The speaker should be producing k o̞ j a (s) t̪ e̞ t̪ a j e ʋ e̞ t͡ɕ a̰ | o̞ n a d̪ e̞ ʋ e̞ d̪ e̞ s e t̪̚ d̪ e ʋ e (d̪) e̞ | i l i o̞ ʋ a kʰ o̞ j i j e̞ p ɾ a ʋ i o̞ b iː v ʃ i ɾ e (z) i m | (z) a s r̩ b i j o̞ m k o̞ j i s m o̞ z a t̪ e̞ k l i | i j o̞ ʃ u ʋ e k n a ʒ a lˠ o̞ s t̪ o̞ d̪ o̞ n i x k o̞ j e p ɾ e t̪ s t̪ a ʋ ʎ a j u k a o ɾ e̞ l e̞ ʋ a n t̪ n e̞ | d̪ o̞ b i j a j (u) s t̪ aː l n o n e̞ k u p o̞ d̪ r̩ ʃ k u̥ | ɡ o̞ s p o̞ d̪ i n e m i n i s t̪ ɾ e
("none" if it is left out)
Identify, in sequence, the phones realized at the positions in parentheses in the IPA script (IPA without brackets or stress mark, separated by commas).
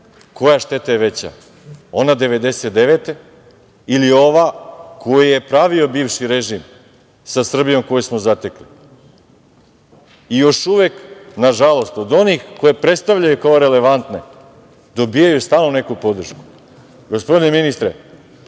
ʃ, t̪, ʒ, s, u